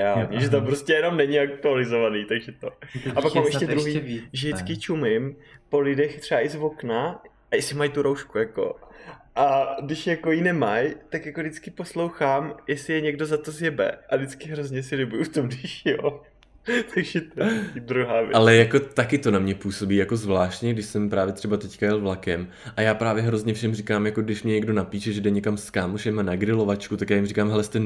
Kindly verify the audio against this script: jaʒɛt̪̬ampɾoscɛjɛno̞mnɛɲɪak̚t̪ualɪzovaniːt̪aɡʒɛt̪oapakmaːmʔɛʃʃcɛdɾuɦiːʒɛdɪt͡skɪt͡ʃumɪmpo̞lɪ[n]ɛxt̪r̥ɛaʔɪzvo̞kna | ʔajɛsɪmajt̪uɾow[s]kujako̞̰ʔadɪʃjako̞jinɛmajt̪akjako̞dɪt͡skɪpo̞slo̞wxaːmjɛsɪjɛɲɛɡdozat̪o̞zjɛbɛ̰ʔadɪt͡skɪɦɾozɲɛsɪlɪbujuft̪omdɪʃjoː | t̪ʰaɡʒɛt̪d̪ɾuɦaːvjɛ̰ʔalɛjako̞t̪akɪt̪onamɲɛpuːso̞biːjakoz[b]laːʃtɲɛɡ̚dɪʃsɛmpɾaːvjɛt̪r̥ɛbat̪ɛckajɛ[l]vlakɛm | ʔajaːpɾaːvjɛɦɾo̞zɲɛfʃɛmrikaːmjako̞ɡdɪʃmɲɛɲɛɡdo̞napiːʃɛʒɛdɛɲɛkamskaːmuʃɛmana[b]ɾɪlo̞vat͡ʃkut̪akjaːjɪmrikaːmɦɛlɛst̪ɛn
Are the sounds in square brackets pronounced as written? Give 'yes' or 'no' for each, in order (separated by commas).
no, no, no, yes, no